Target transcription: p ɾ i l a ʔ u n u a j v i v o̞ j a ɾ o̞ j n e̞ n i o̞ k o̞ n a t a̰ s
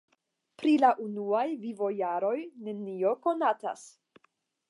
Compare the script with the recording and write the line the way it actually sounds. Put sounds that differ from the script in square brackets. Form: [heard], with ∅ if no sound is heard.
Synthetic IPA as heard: p ɾ i l a ʔ u n u a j v i v o̞ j a ɾ o̞ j n e̞ n i o̞ k o̞ n a t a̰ s